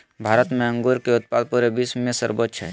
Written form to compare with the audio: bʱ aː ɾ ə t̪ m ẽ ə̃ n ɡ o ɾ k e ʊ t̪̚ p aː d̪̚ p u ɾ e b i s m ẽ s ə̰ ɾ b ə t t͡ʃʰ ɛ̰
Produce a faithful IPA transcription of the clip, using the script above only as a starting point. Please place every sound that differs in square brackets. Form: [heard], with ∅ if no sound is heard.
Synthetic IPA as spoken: bʱ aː ɾ ə t̪ m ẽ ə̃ [ŋ] ɡ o ɾ k e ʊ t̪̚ p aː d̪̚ p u ɾ e b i s m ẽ s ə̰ ɾ b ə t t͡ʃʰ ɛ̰